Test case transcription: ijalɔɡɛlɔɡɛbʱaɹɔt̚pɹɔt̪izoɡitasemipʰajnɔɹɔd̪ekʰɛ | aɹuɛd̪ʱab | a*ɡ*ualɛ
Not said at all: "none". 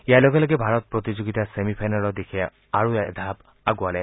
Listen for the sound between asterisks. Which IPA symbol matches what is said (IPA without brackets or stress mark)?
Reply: ɡ